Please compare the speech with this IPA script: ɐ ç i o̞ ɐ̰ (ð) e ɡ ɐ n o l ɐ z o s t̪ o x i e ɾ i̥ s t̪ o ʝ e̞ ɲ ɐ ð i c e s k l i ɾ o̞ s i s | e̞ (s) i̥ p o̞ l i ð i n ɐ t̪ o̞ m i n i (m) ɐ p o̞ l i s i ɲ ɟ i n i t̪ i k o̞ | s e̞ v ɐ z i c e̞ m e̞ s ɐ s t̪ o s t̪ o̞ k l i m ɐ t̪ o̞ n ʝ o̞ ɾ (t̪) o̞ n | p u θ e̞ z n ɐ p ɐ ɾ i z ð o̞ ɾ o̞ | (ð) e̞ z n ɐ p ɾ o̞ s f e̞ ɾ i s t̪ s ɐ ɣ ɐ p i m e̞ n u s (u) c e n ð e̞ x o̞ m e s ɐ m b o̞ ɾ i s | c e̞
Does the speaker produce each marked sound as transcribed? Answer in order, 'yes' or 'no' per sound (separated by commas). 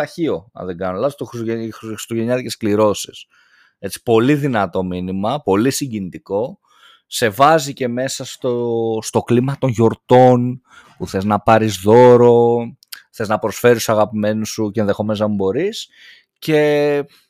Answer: yes, no, yes, yes, no, yes